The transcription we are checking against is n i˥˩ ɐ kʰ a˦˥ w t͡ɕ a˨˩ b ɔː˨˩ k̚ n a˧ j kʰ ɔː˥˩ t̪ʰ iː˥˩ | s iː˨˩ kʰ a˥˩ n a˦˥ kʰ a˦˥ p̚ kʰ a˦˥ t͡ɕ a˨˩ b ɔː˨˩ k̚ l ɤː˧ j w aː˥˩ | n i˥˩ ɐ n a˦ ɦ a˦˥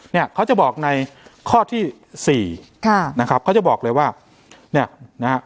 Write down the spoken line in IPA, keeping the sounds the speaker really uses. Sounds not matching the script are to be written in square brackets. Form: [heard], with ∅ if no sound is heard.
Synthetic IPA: n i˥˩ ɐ kʰ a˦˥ w t͡ɕ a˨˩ b ɔː˨˩ k̚ n a˧ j kʰ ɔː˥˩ t̪ʰ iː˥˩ | s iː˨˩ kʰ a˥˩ n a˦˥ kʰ a˦˥ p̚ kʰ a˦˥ t͡ɕ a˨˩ b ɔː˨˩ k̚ l ɤː˧ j w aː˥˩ | n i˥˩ ɐ n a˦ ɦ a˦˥